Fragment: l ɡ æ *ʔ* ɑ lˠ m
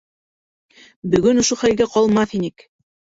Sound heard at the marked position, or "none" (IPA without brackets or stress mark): q